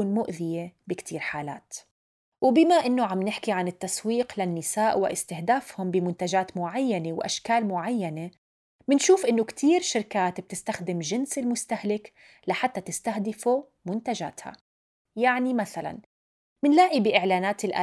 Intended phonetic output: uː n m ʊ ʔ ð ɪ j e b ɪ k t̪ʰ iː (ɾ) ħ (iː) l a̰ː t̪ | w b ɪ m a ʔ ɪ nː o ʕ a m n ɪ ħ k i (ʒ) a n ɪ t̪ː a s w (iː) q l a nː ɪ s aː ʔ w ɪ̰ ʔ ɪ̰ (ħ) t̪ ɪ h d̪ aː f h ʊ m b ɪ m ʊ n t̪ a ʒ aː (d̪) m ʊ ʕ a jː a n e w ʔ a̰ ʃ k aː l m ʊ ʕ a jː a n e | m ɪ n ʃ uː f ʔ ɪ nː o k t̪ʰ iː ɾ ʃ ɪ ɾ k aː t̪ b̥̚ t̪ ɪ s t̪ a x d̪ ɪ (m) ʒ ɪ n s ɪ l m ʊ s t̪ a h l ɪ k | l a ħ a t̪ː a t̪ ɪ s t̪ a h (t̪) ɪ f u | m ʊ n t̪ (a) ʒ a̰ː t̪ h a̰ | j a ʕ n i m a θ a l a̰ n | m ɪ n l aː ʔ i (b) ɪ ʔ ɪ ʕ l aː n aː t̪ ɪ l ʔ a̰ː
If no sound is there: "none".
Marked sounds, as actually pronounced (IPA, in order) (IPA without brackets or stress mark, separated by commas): ɾ, aː, ʕ, iː, s, t̪, m, d̪, a, b